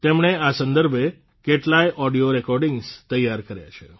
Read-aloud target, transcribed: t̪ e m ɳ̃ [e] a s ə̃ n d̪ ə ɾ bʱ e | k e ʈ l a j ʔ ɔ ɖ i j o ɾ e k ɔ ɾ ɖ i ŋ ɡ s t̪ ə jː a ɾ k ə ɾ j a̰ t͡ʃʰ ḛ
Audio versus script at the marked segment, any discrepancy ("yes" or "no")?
no